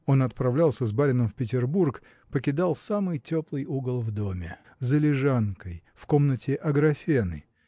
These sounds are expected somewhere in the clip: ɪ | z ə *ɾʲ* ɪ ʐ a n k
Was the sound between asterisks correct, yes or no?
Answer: no